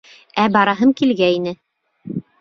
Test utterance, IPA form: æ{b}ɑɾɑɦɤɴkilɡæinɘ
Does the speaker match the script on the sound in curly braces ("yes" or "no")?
yes